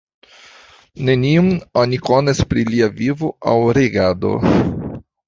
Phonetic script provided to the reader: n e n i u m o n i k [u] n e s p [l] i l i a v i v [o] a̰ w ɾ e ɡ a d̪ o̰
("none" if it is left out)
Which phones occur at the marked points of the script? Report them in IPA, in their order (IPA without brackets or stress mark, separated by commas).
o, ɾ, o